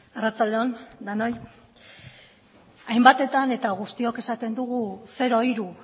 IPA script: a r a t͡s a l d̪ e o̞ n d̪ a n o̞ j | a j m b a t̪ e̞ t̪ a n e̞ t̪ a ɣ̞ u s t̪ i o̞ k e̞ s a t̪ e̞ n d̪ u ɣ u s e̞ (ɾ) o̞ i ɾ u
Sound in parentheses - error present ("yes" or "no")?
no